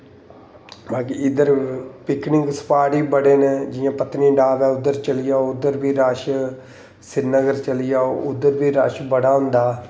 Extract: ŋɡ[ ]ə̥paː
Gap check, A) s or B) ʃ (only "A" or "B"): A